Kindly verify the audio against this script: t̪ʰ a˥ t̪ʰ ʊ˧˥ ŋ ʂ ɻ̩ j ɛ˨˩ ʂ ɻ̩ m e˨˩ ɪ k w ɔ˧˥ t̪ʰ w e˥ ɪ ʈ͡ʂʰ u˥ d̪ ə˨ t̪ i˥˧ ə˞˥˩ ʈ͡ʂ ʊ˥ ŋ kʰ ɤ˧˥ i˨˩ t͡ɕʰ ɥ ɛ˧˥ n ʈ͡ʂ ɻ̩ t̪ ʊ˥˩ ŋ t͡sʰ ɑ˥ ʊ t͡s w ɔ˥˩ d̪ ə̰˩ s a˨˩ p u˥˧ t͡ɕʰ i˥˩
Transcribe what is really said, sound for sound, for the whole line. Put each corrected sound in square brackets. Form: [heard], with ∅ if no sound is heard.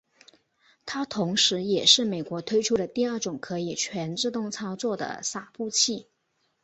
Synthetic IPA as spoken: t̪ʰ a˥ t̪ʰ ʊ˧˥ ŋ ʂ ɻ̩ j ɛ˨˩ ʂ ɻ̩ m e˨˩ ɪ k w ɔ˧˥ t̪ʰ w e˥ ɪ ʈ͡ʂʰ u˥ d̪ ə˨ t̪ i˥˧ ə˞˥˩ ʈ͡ʂ [ʊ˨˩] ŋ kʰ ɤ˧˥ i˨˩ t͡ɕʰ ɥ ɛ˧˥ n ʈ͡ʂ ɻ̩ t̪ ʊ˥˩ ŋ t͡sʰ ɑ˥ ʊ t͡s w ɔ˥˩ d̪ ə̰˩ s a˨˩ p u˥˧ t͡ɕʰ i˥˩